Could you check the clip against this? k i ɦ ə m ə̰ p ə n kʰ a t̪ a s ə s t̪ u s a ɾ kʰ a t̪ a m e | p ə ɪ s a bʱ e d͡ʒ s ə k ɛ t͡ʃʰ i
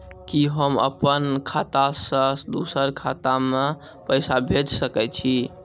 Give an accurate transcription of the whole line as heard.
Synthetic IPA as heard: k i ɦ ə m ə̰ p ə n kʰ a t̪ a s ə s d̪ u s ə ɾ kʰ a t̪ a m e | p ə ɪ s a bʱ e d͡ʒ s ə k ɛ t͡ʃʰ i